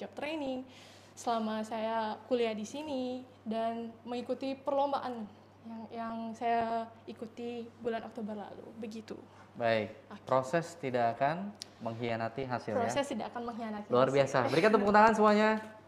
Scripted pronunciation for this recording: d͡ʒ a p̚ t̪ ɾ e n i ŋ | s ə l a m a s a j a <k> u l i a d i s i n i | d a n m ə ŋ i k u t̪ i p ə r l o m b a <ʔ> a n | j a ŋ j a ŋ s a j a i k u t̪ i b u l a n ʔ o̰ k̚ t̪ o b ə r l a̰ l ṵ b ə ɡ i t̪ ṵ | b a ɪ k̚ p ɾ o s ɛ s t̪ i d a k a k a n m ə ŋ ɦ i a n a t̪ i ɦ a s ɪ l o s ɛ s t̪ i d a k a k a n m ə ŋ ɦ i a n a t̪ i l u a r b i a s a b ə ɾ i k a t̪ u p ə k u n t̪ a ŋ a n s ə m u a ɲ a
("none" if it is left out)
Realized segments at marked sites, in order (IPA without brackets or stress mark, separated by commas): k, ʔ